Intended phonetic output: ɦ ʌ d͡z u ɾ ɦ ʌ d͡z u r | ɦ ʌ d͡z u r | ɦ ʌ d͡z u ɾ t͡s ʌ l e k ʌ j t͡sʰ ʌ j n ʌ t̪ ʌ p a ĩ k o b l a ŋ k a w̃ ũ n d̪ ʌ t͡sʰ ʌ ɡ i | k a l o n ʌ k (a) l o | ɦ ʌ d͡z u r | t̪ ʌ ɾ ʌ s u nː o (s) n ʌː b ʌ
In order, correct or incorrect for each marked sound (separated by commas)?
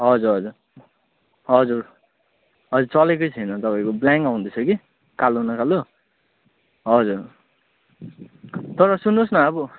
correct, correct